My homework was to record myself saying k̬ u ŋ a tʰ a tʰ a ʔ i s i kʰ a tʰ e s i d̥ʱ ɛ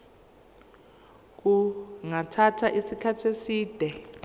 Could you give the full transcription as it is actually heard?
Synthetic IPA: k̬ u ŋ a tʰ a tʰ a ʔ i s i kʰ a tʰ e s iː d̥ʱ ɛ